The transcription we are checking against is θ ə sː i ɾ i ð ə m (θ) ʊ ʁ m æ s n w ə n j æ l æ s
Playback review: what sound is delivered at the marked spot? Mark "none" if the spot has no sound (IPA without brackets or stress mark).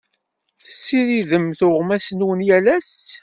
θ